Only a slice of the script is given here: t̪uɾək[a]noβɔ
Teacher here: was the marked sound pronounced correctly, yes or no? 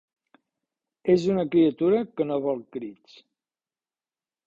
no